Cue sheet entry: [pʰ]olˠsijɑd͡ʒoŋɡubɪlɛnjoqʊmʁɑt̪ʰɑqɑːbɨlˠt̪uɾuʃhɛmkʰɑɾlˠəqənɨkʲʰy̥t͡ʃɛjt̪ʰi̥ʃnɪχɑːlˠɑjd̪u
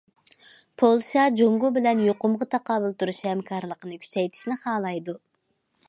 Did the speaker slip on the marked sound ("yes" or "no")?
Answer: no